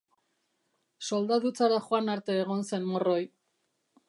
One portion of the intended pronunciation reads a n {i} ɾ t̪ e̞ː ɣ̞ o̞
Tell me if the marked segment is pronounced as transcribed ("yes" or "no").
no